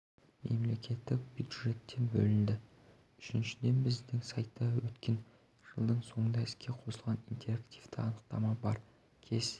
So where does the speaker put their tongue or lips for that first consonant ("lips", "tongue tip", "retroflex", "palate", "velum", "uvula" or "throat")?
lips